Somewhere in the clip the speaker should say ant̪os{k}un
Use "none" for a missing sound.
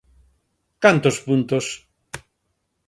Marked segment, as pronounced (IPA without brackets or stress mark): p